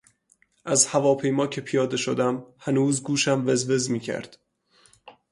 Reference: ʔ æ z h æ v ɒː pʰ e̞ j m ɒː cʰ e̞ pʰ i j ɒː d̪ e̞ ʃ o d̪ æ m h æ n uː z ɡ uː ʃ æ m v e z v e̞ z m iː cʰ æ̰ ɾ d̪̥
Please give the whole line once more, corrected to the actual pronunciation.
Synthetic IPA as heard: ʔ æ z h æ v ɒː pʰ e̞ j m ɒː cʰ e̞ pʰ i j ɒː d̪ e̞ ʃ o d̪ æ m h æ n uː z ɡ uː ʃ æ m v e z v e̞ z m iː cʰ æ̰ ɾ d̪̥